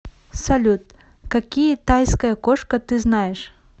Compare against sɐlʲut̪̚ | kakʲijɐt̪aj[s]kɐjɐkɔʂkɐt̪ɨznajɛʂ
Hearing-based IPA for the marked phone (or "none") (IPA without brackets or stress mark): s